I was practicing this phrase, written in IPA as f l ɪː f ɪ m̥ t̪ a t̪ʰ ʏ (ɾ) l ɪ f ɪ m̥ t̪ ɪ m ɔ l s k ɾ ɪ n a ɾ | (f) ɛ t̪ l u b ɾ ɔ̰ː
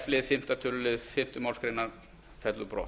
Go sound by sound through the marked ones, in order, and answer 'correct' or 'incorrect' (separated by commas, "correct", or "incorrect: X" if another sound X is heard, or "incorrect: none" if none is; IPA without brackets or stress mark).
incorrect: l, correct